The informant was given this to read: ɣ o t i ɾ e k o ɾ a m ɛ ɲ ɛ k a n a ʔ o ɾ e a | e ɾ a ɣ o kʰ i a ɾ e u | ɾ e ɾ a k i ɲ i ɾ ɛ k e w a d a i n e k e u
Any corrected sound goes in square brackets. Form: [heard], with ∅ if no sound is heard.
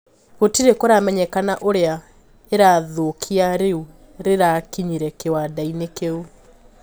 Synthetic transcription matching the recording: ɣ o t i ɾ e k o ɾ a m ɛ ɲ ɛ k a n a ʔ o ɾ e a | e ɾ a [ð] o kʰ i a ɾ e u | ɾ e ɾ a k i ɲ i ɾ ɛ k e w a d a i n e k e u